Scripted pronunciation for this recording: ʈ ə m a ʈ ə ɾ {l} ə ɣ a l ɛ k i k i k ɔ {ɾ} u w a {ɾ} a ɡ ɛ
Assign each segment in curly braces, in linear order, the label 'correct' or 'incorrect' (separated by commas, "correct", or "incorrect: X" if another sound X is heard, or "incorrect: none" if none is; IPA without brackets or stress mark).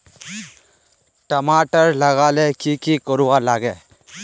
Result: correct, correct, incorrect: l